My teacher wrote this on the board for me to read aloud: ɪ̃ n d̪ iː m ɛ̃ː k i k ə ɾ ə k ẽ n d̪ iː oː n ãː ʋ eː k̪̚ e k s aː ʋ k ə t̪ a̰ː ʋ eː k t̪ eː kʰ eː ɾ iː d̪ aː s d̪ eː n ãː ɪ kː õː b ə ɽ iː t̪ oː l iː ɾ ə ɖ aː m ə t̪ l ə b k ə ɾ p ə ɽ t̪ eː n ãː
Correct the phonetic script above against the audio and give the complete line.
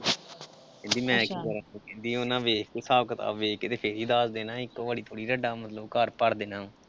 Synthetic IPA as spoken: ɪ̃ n d̪ iː m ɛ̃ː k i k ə ɾ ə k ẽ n d̪ iː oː n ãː ʋ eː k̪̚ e s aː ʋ k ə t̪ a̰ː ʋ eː k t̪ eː pʰ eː ɾ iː d̪ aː s d̪ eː n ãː ɪ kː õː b ə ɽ iː t̪ʰ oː ɽ iː ɾ ə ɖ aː m ə t̪ l ə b k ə ɾ p ə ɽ d̪ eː n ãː